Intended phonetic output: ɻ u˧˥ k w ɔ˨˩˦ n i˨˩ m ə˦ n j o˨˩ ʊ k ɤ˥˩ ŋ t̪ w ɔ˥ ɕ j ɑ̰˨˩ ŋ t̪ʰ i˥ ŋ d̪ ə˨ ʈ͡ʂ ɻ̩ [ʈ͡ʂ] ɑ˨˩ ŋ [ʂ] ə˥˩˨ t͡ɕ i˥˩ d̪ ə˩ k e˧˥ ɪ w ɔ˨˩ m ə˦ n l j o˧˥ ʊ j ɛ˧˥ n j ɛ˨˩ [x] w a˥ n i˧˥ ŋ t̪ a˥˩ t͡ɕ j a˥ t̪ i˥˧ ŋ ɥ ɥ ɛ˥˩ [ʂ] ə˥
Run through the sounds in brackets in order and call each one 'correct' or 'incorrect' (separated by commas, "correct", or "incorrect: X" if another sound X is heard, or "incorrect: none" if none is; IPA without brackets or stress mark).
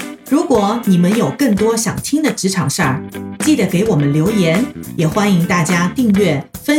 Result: incorrect: ʈ͡ʂʰ, correct, correct, incorrect: f